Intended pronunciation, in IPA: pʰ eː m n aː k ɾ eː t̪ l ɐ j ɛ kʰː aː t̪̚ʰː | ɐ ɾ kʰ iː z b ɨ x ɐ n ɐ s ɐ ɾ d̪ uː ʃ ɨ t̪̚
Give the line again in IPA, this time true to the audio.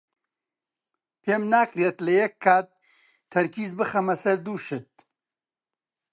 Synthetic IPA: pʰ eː m n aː k ɾ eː t̪ l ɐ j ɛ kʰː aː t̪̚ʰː | ɐ ɾ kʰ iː z b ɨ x ɐ m ɐ s ɐ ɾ d̪ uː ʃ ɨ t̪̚

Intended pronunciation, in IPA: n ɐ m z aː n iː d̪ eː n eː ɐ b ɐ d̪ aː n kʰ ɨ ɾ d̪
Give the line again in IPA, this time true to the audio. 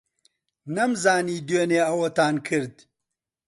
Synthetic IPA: n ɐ m z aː n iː d̪ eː n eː ɐ w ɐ t̪ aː n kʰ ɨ ɾ d̪

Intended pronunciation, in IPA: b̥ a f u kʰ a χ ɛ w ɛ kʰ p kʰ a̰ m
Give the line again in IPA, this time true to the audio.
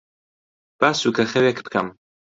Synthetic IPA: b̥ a s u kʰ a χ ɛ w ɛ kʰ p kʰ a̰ m

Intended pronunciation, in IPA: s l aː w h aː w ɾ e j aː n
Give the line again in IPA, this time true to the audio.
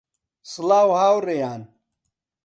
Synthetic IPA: s l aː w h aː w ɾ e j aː n

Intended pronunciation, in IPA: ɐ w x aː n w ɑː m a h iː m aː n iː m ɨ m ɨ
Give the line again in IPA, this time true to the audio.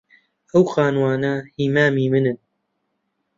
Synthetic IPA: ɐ w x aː n w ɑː n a h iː m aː m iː m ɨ n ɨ

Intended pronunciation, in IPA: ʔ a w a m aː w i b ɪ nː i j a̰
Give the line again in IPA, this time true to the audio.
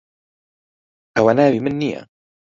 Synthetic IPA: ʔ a w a n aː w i m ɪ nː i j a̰

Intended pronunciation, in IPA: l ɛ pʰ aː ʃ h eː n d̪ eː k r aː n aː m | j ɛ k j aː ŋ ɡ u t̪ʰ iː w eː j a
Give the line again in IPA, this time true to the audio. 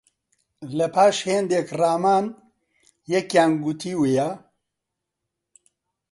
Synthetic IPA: l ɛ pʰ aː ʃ h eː n d̪ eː k r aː m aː n | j ɛ k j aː n ɡ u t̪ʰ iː w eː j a

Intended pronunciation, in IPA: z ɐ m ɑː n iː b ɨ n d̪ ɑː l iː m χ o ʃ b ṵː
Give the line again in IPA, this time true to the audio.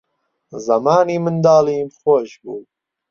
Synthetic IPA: z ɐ m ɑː n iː m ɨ n d̪ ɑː l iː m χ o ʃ b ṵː

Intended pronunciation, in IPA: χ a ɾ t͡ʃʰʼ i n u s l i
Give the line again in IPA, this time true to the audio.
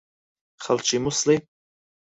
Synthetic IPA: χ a l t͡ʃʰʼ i m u s l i

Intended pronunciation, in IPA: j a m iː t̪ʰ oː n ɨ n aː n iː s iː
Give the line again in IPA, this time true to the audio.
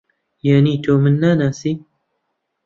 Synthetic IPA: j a n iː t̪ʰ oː m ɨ nː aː n aː s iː

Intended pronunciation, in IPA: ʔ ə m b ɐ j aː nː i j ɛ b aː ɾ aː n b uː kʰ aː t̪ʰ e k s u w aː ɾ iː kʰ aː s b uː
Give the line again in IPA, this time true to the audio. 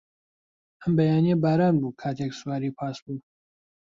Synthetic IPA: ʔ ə m b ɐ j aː n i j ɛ b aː ɾ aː n b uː kʰ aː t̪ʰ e k s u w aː ɾ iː pʰ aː s b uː

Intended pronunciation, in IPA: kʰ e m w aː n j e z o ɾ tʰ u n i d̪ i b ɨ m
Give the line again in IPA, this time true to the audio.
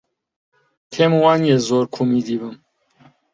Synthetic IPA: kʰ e m w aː n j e z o ɾ kʰ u m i d̪ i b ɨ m

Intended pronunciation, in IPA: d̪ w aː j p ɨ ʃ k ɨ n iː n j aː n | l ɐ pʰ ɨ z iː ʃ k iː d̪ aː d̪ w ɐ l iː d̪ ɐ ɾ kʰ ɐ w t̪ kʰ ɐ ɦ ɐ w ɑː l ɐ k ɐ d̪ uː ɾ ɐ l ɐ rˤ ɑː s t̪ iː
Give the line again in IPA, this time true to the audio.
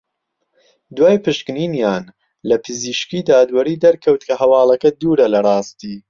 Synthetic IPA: d̪ w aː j p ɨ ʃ k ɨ n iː n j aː n | l ɐ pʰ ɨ z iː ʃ k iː d̪ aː d̪ w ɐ ɾ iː d̪ ɐ ɾ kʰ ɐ w t̪ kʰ ɐ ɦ ɐ w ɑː l ɐ k ɐ d̪ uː ɾ ɐ l ɐ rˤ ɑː s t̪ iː

